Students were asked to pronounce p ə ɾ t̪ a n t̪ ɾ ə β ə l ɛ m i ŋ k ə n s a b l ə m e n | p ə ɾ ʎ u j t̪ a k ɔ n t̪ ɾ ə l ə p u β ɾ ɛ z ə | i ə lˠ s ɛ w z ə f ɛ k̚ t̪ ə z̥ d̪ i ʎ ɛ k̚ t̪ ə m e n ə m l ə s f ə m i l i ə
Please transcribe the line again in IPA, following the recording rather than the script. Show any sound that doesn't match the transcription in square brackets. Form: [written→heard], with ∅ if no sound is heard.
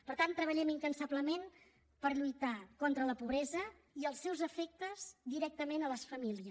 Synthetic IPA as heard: p ə ɾ t̪ a n t̪ ɾ ə β ə [l→ʎ] ɛ m i ŋ k ə n s a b l ə m e n | p ə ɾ ʎ u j t̪ a k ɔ n t̪ ɾ ə l ə p u β ɾ ɛ z ə | i ə lˠ s ɛ w z ə f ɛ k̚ t̪ ə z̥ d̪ i [ʎ→ɾ] ɛ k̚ t̪ ə m e n ə [m→∅] l ə s f ə m i l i ə